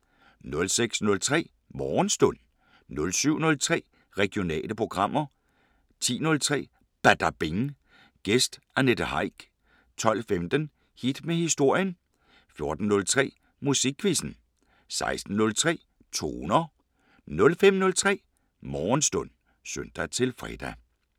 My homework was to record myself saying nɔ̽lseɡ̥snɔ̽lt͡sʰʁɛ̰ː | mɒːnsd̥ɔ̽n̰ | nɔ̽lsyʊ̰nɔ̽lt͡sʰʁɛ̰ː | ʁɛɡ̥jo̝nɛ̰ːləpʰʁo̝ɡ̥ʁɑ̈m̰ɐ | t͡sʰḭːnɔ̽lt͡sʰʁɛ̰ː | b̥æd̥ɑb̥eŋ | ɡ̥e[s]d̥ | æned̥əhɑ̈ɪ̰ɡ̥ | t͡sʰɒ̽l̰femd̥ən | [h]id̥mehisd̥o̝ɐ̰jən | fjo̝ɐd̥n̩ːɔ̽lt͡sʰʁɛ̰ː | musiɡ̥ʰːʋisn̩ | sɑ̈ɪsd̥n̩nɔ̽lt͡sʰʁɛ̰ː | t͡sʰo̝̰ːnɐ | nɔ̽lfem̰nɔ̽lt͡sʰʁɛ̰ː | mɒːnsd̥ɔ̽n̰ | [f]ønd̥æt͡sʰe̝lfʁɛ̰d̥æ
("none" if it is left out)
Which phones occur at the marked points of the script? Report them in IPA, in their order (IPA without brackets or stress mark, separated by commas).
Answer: s, h, s